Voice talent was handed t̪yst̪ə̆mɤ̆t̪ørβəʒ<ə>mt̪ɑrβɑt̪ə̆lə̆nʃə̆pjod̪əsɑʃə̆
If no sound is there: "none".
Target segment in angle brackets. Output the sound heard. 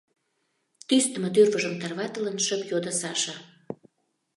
ə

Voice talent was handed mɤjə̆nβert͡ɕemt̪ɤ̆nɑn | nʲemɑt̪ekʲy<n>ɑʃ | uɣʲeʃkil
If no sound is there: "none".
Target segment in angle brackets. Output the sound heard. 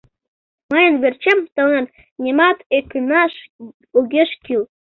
n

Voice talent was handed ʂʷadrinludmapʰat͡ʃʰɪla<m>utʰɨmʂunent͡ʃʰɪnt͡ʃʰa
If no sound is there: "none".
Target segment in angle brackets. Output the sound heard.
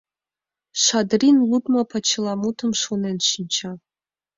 m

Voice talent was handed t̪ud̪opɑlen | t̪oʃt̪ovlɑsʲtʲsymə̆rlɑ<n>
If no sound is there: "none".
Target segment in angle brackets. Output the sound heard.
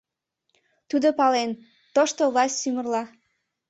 none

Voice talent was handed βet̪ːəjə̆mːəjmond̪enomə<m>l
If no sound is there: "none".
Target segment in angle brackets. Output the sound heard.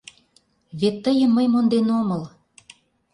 none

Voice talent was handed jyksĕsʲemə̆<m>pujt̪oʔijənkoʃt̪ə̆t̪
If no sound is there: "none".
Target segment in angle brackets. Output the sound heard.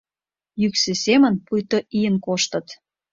n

